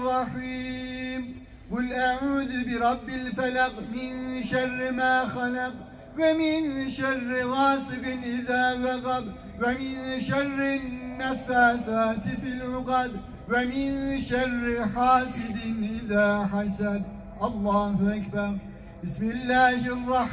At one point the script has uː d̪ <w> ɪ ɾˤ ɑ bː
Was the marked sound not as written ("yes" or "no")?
yes